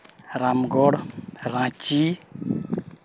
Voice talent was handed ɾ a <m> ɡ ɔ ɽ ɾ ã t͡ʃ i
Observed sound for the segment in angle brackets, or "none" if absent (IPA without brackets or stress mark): m